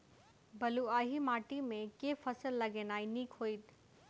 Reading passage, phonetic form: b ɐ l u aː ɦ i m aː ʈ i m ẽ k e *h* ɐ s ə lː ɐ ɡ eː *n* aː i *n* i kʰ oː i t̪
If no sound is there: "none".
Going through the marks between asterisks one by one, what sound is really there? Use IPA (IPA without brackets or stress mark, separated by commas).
f, n, n